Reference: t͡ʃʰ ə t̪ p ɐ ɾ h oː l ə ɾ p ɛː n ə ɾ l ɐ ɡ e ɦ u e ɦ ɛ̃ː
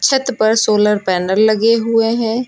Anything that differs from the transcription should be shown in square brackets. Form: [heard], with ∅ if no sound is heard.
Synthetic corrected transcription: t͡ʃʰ ə t̪ p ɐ ɾ [s] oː l ə ɾ p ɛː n ə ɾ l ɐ ɡ e ɦ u e ɦ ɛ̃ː